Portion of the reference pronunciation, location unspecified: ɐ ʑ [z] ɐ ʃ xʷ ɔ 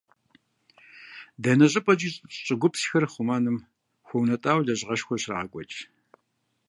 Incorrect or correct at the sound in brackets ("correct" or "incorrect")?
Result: incorrect